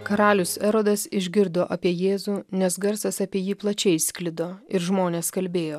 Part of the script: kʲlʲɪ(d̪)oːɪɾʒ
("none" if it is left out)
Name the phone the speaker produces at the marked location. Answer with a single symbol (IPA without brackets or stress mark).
d̪